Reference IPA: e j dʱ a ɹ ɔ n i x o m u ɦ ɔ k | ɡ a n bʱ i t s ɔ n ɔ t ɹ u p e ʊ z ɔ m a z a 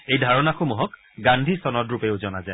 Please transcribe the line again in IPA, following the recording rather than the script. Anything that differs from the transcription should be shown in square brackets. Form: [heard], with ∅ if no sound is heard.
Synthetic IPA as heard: e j dʱ a ɹ ɔ n [a] x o m u ɦ ɔ k | ɡ a n [dʱ] i [∅] s ɔ n ɔ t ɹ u p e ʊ z ɔ [n] a z a